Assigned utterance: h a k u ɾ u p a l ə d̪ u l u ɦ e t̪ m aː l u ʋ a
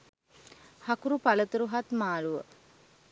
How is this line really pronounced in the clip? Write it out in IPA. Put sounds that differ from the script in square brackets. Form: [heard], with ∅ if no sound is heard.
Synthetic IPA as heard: h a k u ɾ u p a l ə [t̪] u [ɾ] u ɦ [a] t̪ m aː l u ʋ [ə]